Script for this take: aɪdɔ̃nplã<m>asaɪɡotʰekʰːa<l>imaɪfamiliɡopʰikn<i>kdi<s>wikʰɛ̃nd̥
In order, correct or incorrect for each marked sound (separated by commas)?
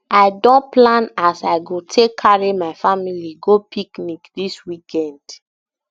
incorrect, incorrect, correct, correct